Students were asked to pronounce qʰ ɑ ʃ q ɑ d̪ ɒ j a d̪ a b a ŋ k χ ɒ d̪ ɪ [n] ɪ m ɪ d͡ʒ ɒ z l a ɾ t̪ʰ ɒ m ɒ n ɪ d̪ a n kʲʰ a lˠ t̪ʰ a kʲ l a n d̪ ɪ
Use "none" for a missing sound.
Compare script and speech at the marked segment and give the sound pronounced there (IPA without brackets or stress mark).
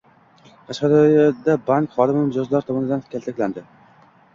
m